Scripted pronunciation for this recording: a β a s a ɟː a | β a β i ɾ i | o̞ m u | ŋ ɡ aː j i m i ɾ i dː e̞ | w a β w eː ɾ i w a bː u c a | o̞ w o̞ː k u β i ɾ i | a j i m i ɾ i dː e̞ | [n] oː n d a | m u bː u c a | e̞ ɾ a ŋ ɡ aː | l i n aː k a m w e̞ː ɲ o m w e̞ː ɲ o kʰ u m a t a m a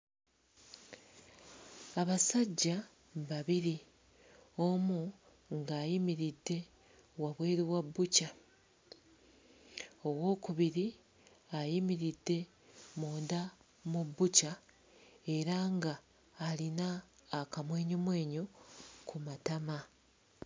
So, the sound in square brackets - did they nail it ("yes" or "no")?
no